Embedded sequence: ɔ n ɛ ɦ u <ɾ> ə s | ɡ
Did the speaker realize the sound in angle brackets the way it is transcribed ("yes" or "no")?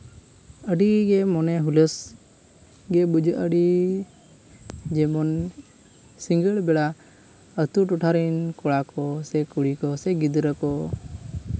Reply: no